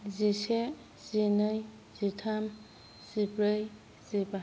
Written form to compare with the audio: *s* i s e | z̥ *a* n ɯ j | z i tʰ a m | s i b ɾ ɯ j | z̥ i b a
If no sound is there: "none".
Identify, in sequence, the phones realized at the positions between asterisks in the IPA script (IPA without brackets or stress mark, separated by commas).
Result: z, i